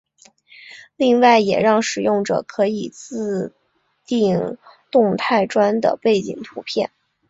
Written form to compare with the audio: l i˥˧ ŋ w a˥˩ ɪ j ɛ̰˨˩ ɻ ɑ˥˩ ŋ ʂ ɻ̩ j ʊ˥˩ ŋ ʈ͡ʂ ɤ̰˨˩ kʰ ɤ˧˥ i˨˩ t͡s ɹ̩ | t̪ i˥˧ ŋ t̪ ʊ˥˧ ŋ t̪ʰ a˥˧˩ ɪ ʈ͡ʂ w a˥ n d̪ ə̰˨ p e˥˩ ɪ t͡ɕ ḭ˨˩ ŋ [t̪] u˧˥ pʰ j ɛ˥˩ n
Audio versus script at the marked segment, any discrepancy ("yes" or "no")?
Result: yes